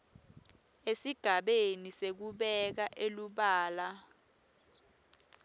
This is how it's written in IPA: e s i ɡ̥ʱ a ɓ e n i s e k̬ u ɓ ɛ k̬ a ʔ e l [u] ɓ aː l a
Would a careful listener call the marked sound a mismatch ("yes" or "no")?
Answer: no